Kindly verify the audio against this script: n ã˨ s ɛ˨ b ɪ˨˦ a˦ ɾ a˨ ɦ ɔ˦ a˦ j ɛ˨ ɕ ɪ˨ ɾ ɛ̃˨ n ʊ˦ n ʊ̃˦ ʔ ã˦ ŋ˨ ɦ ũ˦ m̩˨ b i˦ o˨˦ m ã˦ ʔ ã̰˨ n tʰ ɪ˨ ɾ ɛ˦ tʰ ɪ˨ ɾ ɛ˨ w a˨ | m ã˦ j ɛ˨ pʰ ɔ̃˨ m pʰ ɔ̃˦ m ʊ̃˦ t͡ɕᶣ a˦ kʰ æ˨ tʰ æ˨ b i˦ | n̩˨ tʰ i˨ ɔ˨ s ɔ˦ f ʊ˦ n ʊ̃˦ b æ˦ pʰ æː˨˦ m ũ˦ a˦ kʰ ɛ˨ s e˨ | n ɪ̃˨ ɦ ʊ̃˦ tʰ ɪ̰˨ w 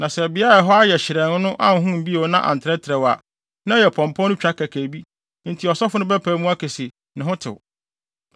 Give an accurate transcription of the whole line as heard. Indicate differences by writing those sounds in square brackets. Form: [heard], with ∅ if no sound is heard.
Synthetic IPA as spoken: n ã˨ s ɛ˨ b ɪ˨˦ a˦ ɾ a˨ ɦ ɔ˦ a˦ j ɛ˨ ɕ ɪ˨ ɾ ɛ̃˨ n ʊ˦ n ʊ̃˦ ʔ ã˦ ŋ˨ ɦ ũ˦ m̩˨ b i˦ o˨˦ [n] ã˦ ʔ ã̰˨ n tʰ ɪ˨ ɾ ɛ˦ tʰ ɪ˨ ɾ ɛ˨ w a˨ | [n] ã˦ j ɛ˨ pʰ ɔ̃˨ m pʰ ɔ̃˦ [n] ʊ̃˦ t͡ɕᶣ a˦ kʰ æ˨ [kʰ] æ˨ b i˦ | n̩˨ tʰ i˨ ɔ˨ s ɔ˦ f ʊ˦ n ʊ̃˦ b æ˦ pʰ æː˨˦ m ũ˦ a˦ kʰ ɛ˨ s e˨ | n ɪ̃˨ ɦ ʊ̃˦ tʰ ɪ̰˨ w